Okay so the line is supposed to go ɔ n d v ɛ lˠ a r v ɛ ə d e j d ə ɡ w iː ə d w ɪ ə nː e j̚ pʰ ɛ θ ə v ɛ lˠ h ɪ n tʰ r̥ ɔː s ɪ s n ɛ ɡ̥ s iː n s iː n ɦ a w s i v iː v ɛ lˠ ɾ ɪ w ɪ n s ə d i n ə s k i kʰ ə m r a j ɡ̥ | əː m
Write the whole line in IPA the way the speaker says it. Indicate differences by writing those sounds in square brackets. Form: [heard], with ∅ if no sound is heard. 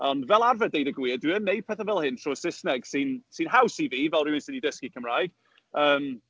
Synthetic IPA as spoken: ɔ n d v ɛ lˠ a r v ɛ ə d e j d ə ɡ w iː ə d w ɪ ə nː e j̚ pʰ ɛ θ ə v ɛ lˠ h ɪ n tʰ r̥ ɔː s ɪ s n ɛ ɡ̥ s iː n s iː n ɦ a w s i v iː v ɛ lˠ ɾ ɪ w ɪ n s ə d i [d] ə s k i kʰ ə m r a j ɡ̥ | əː m